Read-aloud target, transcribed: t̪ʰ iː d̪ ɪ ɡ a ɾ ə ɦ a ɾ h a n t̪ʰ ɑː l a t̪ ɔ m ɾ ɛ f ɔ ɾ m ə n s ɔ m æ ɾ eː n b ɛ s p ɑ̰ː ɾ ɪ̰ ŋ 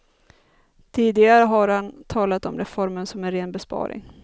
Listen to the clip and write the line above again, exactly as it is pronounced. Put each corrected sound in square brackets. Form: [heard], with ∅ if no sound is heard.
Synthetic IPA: t̪ʰ iː d̪ ɪ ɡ a ɾ ə ɦ a ɾ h a n t̪ʰ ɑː l a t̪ ɔ m ɾ ɛ f ɔ ɾ m ə n s ɔ m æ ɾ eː n b ɛ s p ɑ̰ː ɾ ɪ̰ ŋ